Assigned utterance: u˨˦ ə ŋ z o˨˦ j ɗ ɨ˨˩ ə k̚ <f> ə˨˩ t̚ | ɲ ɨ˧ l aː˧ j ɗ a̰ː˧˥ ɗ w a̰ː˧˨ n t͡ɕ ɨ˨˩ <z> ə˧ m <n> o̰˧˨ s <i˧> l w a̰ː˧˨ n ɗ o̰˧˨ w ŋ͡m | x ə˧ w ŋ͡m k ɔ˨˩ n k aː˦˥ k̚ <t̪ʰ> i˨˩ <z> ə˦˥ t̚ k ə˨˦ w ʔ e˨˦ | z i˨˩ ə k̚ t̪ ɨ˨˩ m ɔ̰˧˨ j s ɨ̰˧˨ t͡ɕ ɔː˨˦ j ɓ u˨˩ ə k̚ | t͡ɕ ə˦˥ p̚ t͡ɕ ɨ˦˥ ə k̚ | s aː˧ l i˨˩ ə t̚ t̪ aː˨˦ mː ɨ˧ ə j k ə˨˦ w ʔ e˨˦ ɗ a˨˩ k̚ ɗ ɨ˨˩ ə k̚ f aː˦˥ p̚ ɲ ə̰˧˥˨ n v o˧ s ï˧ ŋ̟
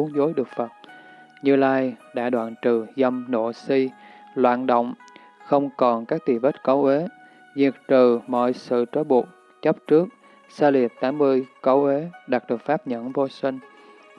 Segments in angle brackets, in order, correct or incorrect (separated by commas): correct, correct, correct, correct, incorrect, incorrect